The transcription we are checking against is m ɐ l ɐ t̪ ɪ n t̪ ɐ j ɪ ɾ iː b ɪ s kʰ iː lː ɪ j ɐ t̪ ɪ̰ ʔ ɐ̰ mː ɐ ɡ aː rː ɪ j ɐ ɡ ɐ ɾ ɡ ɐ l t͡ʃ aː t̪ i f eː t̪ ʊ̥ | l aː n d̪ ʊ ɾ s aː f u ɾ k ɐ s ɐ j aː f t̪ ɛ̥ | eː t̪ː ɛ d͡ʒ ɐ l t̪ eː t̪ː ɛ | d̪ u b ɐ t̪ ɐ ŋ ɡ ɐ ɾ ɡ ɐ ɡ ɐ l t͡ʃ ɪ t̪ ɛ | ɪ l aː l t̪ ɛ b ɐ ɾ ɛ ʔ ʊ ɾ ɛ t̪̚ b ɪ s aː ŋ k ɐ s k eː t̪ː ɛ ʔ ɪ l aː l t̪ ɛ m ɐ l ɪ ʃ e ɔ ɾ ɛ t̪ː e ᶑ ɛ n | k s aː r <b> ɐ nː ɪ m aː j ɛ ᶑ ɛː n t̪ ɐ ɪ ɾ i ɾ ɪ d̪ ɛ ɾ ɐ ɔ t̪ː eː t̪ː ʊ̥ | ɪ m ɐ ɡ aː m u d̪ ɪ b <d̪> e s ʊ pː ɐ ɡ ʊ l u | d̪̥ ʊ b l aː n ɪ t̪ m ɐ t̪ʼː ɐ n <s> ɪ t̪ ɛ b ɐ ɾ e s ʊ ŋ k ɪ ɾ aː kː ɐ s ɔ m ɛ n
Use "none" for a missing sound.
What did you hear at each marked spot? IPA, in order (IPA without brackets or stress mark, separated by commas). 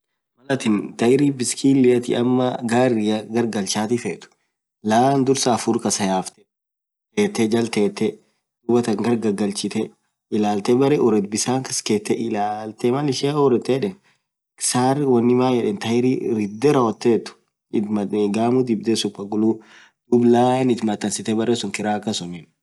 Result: w, d̪, s